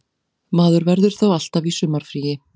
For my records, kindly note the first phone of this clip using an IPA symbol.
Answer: m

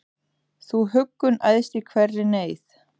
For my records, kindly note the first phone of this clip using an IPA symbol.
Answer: θ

